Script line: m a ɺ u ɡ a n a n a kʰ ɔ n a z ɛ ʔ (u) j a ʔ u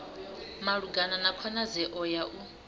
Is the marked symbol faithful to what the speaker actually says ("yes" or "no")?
no